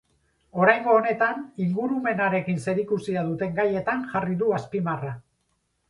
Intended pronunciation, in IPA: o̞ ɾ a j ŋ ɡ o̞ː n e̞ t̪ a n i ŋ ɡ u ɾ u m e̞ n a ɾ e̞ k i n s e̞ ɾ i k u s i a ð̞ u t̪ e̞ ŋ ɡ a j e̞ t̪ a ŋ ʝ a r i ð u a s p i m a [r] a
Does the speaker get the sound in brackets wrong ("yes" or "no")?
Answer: no